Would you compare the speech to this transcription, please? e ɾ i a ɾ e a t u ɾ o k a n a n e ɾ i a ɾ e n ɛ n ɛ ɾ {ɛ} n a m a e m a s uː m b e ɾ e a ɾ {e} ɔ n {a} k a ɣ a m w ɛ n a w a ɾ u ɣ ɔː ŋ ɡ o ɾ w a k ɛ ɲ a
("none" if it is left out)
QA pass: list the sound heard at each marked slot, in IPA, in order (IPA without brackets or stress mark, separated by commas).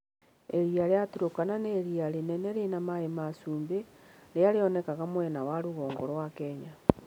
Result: e, e, ɛ